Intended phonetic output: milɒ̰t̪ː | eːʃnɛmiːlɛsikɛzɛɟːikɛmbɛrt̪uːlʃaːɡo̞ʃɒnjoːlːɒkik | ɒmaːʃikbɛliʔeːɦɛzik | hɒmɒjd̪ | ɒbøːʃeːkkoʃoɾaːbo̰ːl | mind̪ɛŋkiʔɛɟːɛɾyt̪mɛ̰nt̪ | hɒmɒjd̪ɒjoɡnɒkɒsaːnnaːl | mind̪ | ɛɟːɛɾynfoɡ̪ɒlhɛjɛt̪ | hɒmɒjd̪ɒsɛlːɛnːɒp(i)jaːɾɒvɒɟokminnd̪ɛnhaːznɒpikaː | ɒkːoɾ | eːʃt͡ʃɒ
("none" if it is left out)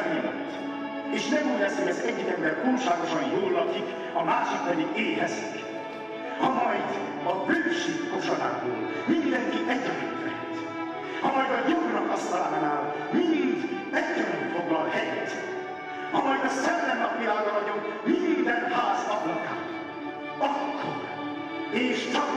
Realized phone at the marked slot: i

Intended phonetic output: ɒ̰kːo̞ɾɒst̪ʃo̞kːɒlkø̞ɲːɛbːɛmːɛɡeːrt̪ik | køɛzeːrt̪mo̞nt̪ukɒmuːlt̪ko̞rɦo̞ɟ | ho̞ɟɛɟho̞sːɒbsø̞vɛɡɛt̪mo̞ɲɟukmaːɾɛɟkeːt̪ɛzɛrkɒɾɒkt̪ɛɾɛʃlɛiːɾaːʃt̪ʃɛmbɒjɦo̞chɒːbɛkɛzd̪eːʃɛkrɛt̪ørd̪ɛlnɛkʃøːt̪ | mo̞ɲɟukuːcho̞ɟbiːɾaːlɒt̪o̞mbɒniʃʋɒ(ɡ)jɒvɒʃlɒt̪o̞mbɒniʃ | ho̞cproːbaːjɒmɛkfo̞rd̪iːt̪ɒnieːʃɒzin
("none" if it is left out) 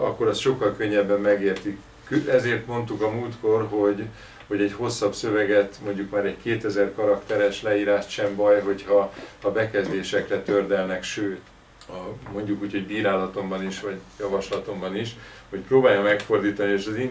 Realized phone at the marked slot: ɟ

